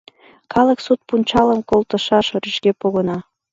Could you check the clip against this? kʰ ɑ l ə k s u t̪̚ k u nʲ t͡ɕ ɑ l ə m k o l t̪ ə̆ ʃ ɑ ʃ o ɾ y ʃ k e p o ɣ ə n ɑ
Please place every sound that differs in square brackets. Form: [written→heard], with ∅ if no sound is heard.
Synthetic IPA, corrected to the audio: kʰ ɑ l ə k s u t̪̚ [k→p] u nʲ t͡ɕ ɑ l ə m k o l t̪ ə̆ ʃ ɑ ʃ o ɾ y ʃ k e p o ɣ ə n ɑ